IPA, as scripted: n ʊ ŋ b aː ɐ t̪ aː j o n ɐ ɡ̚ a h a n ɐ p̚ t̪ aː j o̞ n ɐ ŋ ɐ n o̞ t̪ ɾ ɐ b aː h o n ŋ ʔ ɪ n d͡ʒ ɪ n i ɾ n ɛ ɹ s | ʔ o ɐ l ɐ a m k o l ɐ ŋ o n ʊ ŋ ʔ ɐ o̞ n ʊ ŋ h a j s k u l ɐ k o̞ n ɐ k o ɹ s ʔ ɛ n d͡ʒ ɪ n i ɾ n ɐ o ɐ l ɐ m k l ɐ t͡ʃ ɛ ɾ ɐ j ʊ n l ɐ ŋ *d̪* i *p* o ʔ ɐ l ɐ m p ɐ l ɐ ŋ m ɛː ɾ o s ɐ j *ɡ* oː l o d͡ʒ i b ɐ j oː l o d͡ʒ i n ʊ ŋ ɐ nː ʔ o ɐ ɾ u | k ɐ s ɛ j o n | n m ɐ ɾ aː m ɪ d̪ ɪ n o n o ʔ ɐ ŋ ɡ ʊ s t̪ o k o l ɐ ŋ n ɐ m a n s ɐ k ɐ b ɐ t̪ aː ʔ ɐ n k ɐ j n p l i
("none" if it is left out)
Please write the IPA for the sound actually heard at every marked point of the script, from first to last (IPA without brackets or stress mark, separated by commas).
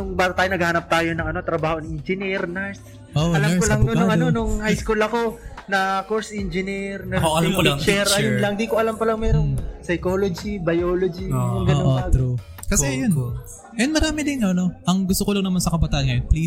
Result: d̪, k, k